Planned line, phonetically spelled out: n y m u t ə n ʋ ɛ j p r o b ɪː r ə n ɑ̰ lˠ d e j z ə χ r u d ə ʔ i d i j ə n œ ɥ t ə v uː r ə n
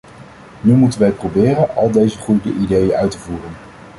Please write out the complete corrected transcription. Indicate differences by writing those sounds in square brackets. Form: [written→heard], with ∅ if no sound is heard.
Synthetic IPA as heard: n y m u t ə n ʋ ɛ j p r o b ɪː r ə n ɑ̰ lˠ d e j z ə χ r u d ə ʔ i d [i→e] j ə n œ ɥ t ə v uː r ə n